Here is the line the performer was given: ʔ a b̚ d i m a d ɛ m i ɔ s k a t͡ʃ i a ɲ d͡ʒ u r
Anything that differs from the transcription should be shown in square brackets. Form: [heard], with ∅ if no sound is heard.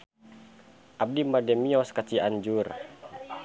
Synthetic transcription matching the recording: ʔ a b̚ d i m a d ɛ m i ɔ s k a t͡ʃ i a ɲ d͡ʒ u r